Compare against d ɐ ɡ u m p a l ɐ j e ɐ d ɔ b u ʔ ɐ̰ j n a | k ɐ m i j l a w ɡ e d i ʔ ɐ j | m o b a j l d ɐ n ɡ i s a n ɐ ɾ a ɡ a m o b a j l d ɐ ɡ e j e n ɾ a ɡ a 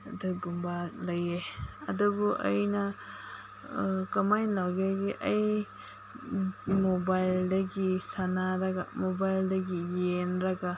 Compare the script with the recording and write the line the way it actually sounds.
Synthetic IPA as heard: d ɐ ɡ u m b a l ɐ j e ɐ d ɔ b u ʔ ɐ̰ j n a | k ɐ m a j l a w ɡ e ɡ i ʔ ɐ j | m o b a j l d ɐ ɡ i s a n a ɾ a ɡ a m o b a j l d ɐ ɡ i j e n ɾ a ɡ a